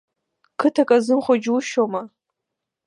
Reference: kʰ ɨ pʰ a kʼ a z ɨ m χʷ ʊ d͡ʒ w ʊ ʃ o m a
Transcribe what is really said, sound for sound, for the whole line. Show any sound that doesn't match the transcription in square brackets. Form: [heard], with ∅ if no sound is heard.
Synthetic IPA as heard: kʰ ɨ [tʰ] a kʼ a z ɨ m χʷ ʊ d͡ʒ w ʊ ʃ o m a

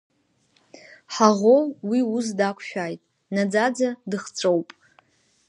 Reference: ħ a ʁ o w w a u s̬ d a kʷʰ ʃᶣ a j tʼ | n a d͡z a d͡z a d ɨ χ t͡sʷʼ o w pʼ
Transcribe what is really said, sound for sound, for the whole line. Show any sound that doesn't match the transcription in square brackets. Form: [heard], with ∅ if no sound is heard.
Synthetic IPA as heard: ħ a ʁ o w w [i] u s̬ d a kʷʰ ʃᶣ a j tʼ | n a d͡z a d͡z a d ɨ χ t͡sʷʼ o w pʼ

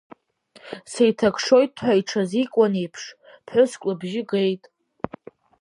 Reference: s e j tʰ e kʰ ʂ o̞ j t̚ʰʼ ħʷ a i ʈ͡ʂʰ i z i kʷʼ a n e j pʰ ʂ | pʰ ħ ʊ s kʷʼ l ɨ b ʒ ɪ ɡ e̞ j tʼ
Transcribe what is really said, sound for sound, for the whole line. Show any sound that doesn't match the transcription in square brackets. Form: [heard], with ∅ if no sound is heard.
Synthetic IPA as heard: s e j tʰ [a] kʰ ʂ o̞ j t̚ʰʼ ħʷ a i ʈ͡ʂʰ [a] z i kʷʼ a n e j pʰ ʂ | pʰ ħ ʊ s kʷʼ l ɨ b ʒ ɪ ɡ e̞ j tʼ

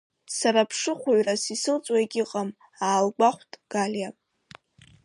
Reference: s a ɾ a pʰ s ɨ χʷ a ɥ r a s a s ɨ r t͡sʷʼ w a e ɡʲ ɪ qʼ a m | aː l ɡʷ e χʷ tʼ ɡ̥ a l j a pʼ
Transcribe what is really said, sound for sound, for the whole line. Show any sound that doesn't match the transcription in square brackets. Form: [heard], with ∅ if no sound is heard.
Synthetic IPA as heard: s a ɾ a pʰ [ʂ] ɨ χʷ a ɥ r a s [i] s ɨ [l] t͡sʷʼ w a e ɡʲ ɪ qʼ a m | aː l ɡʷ [a] χʷ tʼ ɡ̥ a l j a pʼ

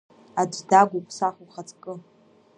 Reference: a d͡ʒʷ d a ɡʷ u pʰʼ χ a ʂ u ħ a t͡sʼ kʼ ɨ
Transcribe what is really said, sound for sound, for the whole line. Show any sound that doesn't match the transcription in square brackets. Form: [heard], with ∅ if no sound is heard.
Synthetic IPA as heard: a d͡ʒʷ d a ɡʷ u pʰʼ [s] a [χ] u [χ] a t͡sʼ kʼ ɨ

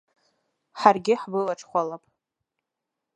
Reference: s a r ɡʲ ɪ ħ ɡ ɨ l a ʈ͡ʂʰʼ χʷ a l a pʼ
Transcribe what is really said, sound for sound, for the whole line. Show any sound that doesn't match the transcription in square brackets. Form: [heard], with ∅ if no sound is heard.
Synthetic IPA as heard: [ħ] a r ɡʲ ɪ ħ [b] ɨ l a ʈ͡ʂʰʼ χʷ a l a pʼ

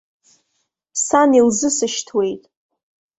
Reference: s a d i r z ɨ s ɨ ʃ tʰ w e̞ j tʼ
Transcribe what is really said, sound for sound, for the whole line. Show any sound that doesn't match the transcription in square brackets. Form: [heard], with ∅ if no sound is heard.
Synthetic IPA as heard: s a [n] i [l] z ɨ s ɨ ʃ tʰ w e̞ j tʼ

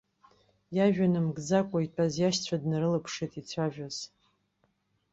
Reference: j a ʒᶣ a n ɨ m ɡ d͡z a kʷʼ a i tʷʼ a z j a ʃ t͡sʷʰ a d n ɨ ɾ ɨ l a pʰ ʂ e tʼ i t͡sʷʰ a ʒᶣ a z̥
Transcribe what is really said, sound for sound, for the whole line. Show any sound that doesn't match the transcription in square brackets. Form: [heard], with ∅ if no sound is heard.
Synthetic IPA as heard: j a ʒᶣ a n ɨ m ɡ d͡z a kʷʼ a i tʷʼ a z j a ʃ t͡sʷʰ a d n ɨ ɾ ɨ l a pʰ ʂ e tʼ i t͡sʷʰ a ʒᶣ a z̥

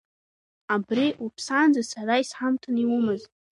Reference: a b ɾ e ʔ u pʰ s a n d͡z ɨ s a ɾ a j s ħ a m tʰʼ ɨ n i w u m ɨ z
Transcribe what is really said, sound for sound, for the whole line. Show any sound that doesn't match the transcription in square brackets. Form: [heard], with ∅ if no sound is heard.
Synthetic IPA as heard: a b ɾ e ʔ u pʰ s a n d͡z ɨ s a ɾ a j s ħ a m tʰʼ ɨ n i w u m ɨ z

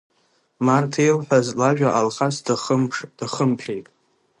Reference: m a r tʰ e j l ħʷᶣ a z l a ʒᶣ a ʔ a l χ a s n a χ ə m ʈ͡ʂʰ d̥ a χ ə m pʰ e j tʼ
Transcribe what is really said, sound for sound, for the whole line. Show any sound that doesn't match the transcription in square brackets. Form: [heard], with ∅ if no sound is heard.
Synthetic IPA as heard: m a r tʰ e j l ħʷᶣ a z l a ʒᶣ a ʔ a l χ a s [d] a χ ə m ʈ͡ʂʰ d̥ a χ ə m pʰ e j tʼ

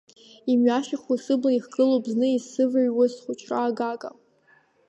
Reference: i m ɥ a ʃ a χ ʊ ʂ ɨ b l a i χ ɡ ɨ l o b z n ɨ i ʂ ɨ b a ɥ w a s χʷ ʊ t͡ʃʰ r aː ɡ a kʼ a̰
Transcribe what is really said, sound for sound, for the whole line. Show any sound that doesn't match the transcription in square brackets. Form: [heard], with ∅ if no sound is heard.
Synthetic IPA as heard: i m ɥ a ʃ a χ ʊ [s] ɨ b l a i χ ɡ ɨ l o b z n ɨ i [s] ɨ [v] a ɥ w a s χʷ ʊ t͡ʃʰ r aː ɡ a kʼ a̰

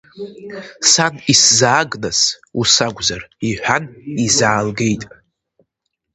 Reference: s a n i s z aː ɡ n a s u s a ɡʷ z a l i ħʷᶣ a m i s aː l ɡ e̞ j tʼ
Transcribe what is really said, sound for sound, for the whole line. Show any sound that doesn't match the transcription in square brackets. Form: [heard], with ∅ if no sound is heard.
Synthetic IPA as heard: s a n i s z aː ɡ n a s u s a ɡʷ z a [r] i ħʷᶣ a [n] i [z] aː l ɡ e̞ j tʼ

